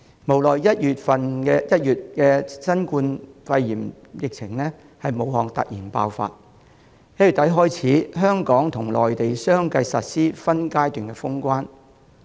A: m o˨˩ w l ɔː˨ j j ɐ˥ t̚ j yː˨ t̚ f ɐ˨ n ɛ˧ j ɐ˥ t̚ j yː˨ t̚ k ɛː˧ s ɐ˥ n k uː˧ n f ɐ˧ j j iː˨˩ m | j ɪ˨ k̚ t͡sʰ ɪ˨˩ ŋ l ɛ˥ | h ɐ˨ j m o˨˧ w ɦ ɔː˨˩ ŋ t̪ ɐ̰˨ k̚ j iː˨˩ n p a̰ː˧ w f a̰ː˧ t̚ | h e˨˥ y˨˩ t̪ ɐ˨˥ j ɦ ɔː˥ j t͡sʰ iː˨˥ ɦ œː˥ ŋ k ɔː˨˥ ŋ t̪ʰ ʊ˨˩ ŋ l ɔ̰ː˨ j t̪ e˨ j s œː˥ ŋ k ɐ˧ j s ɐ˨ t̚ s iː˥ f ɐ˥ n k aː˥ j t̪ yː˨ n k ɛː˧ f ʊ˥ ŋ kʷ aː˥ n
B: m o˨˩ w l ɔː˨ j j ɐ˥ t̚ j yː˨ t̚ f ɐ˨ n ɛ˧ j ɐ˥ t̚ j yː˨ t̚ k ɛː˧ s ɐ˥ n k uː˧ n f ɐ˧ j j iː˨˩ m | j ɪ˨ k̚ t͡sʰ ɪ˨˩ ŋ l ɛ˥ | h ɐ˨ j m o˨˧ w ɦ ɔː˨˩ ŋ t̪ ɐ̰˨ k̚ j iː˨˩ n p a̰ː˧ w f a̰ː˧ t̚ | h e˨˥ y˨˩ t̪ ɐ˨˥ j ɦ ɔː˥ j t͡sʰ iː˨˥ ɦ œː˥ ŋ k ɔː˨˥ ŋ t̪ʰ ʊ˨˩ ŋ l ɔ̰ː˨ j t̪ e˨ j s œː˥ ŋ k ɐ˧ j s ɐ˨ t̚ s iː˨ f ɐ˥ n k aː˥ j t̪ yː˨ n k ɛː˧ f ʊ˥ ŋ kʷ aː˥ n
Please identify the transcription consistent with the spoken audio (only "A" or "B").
A